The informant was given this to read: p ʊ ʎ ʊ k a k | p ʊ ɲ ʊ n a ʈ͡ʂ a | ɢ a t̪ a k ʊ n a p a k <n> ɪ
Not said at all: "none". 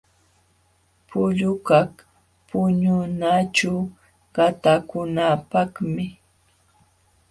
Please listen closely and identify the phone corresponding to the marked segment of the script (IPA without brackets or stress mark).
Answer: m